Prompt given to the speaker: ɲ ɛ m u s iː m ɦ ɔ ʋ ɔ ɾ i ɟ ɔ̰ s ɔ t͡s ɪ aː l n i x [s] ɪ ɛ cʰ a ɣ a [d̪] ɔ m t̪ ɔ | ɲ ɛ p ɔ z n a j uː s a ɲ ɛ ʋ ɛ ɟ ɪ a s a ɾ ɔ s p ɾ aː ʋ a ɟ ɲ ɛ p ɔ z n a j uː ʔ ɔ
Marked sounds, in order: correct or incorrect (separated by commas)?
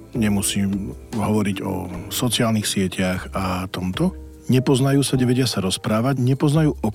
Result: correct, incorrect